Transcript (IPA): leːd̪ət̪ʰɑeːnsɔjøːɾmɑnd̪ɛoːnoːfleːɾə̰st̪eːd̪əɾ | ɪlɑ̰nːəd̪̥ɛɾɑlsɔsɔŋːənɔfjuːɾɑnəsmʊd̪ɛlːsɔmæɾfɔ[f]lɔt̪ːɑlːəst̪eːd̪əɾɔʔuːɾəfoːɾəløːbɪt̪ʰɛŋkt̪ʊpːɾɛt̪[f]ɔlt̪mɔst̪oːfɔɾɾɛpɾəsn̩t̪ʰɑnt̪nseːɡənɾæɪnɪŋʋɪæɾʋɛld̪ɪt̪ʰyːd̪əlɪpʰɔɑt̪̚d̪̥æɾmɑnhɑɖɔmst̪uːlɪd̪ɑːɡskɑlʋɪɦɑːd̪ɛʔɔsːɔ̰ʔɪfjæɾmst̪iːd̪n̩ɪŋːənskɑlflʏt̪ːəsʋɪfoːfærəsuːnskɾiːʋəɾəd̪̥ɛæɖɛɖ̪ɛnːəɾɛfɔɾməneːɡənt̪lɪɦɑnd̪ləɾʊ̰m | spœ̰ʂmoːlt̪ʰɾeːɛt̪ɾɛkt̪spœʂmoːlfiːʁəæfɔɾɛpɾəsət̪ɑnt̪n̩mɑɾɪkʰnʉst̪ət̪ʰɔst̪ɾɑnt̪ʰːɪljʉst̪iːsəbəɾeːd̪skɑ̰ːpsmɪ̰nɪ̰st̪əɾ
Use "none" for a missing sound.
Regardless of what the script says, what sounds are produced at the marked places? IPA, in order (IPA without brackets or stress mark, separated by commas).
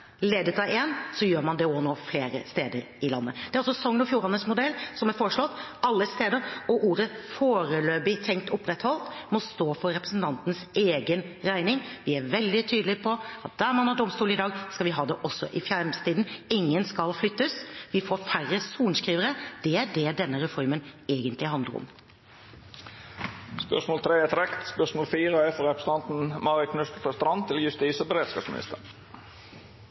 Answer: ʂ, h